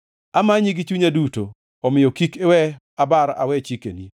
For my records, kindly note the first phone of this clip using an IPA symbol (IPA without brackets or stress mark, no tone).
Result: a